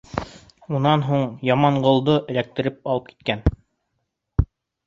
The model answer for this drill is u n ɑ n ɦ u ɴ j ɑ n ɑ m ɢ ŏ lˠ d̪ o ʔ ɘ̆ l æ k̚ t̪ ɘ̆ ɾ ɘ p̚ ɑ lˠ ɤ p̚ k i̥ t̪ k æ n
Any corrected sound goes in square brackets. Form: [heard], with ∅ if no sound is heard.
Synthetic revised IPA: u n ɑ n ɦ u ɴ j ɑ [m] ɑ [ɴ] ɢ ŏ lˠ d̪ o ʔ ɘ̆ l æ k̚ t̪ ɘ̆ ɾ ɘ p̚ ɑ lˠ ɤ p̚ k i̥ t̪ k æ n